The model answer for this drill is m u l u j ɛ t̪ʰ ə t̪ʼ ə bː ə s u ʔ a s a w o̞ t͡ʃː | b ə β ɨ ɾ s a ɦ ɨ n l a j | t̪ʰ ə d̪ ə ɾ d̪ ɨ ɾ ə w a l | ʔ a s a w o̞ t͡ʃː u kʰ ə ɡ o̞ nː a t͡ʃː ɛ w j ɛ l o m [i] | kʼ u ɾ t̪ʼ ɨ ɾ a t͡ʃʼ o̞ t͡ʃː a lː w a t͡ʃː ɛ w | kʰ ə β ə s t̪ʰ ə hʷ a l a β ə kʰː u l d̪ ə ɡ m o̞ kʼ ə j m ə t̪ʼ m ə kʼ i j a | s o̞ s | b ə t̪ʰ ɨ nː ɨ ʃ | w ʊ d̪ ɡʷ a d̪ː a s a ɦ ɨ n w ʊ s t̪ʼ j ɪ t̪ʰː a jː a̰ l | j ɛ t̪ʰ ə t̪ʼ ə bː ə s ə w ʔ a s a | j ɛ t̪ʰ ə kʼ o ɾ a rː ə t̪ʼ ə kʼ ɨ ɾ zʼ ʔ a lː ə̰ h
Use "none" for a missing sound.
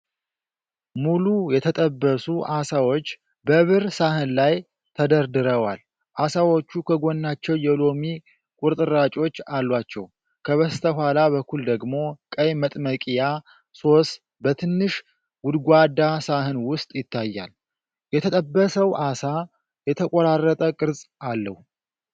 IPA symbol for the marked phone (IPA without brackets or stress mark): i